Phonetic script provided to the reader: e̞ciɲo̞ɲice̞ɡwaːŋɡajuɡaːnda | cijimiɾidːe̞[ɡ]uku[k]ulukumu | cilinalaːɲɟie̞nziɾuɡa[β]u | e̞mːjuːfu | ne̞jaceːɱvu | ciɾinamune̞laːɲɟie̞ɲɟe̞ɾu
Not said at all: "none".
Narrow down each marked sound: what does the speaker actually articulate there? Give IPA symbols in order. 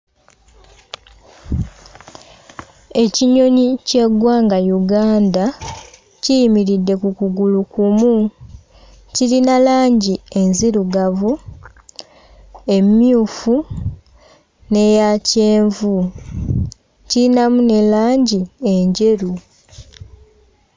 k, ɡ, v

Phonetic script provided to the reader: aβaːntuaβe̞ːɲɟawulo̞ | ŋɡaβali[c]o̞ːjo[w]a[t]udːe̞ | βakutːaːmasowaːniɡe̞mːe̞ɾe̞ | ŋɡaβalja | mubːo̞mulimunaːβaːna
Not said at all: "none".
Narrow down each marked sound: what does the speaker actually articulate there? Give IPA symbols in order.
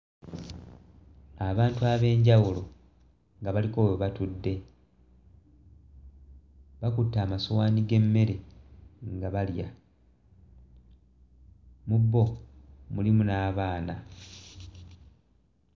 k, β, t

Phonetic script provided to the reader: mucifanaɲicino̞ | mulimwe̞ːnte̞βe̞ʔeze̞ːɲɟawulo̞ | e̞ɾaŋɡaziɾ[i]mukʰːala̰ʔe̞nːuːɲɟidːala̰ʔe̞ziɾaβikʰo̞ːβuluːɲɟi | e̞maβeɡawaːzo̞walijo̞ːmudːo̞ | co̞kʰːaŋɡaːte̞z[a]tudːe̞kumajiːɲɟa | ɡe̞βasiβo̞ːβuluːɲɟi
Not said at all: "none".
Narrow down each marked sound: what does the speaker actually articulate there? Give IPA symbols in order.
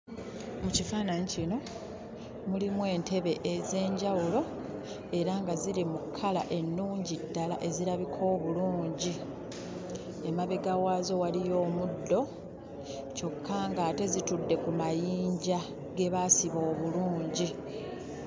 i, i

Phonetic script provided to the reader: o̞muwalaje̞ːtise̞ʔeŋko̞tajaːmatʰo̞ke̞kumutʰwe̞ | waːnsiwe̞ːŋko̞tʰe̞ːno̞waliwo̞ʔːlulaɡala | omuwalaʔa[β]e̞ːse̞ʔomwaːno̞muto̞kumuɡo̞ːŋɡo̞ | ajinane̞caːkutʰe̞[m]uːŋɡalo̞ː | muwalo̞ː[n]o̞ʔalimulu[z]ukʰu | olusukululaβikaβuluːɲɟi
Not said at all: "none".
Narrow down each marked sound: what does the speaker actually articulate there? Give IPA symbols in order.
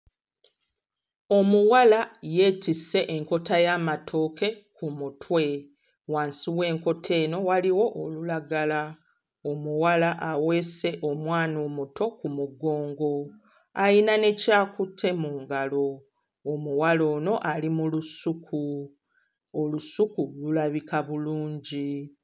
w, m, n, s

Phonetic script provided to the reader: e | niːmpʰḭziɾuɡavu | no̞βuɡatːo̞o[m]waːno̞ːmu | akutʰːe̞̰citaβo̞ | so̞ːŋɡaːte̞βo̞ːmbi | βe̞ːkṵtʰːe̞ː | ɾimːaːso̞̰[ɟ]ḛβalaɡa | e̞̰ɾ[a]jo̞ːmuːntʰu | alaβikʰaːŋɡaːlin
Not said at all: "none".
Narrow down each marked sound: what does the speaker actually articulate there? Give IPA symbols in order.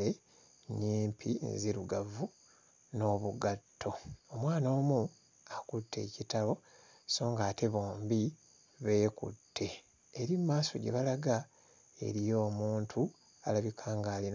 m, ɟ, i

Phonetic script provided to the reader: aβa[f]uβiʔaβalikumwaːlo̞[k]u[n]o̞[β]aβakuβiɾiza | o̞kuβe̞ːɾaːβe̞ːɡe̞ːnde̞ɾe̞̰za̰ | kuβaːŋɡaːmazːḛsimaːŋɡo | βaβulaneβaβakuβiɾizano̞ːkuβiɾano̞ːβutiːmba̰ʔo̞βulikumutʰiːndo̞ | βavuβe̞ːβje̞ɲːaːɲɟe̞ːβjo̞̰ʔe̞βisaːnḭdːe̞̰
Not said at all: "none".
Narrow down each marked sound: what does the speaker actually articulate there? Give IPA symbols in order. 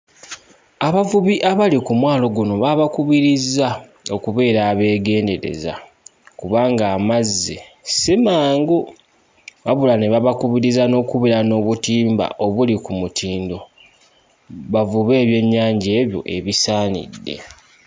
v, ɡ, n, β

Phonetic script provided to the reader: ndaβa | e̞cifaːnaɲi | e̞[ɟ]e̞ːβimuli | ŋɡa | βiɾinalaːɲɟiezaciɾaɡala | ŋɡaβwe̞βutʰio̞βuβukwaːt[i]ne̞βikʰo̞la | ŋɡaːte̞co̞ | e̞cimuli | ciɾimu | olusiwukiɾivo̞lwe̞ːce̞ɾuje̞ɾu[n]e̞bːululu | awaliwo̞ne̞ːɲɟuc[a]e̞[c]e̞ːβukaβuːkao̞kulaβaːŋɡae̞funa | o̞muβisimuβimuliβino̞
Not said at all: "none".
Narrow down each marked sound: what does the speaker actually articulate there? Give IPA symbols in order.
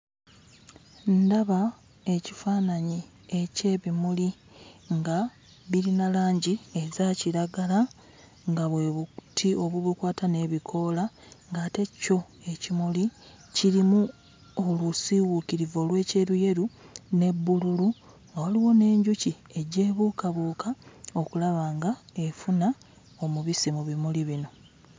c, a, n, i, ɟ

